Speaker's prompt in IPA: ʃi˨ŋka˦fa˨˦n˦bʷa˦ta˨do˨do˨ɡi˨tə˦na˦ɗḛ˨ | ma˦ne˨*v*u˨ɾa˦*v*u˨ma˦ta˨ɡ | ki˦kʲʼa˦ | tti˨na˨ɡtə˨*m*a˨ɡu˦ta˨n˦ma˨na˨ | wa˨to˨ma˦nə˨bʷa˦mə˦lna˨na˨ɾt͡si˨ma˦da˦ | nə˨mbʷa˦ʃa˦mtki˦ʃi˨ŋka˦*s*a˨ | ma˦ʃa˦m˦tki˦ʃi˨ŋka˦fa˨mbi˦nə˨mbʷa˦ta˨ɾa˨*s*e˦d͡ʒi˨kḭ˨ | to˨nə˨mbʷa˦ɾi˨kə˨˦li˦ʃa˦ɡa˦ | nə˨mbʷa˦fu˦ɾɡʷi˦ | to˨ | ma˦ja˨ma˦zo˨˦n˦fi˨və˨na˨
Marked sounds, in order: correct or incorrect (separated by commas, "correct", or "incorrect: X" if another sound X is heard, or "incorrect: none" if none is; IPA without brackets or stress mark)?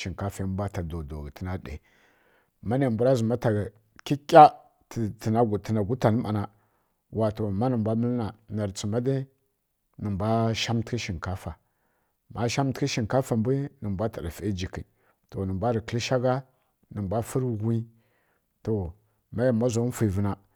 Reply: incorrect: b, incorrect: z, incorrect: n, incorrect: f, incorrect: f